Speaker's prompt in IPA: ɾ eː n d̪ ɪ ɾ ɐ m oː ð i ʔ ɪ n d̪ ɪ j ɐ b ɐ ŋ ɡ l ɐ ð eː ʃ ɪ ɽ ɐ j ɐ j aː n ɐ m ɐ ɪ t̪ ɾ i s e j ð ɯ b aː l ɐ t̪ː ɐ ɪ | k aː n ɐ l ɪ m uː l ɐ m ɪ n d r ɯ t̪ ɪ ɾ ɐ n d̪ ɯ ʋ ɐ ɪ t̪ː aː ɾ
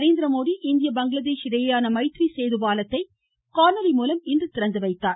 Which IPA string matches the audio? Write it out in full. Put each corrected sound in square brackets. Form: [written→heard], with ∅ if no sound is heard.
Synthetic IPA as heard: ɾ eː n d̪ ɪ ɾ ɐ m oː ð i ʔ ɪ n d̪ ɪ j ɐ b ɐ ŋ ɡ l ɐ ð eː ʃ ɪ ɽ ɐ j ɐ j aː n ɐ m ɐ ɪ t̪ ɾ i s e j ð ɯ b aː l ɐ t̪ː ɐ ɪ | k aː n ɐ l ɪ m uː l ɐ m ɪ n d r ɯ t̪ ɪ ɾ ɐ n d̪ ɯ ʋ ɐ ɪ t̪ː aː ɾ